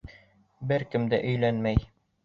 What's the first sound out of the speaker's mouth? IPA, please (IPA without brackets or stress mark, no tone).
b